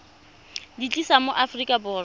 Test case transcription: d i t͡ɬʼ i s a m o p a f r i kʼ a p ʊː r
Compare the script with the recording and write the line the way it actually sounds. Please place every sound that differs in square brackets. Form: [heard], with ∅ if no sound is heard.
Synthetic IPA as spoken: d i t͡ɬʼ i s a m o [ʔ] a f r i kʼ a [b] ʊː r